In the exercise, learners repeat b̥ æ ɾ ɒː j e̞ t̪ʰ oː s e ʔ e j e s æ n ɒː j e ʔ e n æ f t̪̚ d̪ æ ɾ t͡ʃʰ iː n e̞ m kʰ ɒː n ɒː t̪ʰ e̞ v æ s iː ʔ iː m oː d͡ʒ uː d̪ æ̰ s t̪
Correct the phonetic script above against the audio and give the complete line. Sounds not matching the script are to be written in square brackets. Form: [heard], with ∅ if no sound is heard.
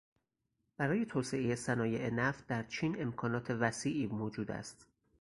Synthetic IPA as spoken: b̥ æ ɾ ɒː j e̞ t̪ʰ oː s e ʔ e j e s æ n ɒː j e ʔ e n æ f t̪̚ d̪ æ ɾ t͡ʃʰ iː n e̞ m kʰ ɒː n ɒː t̪ʰ e̞ v æ s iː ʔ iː m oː d͡ʒ uː d̪ æ̰ s t̪